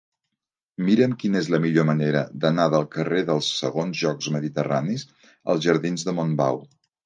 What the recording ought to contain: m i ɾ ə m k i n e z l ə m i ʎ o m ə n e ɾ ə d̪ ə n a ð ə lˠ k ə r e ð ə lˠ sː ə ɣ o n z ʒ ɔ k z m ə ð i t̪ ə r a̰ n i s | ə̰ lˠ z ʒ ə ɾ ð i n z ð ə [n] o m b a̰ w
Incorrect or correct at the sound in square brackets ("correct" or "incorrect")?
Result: incorrect